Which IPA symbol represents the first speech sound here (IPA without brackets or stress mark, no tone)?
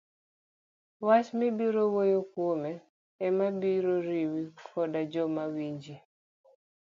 w